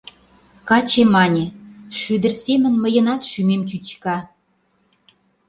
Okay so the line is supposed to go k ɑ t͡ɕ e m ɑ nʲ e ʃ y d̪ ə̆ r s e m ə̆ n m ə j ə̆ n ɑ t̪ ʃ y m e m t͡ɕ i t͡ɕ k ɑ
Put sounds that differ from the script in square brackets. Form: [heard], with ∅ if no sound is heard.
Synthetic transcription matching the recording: k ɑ t͡ɕ e m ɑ nʲ e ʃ y d̪ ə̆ r s e m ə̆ n m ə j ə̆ n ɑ t̪ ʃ y m e m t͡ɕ [y] t͡ɕ k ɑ